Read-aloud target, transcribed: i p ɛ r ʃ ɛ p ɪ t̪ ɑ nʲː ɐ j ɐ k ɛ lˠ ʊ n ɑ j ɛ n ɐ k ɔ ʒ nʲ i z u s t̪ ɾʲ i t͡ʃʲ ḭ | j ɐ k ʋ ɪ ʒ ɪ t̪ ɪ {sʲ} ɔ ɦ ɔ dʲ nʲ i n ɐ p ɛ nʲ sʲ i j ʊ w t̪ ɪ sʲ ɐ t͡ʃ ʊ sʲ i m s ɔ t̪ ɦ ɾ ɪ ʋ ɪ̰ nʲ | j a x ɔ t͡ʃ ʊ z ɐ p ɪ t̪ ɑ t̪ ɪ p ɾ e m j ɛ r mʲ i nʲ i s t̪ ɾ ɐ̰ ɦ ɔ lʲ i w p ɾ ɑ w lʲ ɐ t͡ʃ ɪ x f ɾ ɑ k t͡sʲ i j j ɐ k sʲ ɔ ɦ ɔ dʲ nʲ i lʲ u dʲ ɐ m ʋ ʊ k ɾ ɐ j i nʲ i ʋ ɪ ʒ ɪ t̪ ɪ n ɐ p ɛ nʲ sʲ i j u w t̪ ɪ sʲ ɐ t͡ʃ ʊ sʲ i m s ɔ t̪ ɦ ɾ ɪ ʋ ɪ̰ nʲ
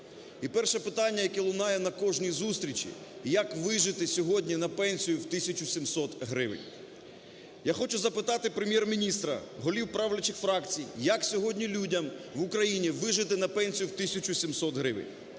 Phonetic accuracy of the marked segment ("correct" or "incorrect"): correct